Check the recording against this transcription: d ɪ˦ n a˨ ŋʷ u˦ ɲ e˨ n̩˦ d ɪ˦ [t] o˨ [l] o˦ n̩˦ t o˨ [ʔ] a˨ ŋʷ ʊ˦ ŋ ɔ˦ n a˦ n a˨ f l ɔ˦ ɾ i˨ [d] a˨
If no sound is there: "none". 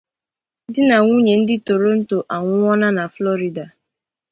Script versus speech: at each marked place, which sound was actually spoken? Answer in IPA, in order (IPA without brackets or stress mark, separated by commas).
t, ɾ, ʔ, d